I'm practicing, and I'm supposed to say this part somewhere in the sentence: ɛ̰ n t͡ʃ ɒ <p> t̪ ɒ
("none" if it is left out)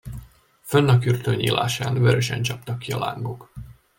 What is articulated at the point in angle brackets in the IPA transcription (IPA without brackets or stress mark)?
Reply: p